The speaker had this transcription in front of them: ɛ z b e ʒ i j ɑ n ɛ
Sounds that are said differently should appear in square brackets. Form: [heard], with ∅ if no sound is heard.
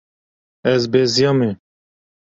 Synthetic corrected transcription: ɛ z b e [z] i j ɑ [m] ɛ